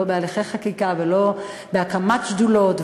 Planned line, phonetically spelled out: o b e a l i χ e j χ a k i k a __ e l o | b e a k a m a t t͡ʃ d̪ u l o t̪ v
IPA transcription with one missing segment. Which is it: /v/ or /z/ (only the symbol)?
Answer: v